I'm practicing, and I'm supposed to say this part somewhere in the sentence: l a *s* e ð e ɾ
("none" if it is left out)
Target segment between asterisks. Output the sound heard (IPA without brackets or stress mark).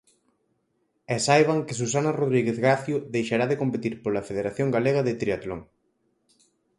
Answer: f